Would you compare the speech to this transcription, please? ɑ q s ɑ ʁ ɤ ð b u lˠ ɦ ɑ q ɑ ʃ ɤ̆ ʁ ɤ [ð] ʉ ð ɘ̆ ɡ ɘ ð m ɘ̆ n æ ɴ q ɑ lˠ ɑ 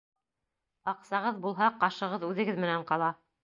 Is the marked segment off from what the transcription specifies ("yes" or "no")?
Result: no